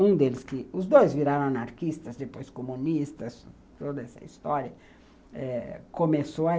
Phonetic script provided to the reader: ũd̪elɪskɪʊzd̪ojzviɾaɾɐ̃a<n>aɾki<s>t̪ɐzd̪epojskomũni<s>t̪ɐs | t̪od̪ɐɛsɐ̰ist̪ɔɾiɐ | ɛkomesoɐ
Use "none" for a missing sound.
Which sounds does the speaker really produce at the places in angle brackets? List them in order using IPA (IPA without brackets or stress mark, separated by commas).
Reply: n, s, s